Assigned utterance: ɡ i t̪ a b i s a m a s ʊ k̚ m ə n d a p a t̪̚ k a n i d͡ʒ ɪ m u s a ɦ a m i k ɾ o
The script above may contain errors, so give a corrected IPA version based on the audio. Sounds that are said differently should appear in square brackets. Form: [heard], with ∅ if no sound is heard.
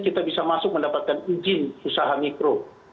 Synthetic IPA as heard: [k] i t̪ a b i s a m a s ʊ k̚ m ə n d a p a t̪̚ k a n i d͡ʒ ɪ [n] u s a ɦ a m i k ɾ o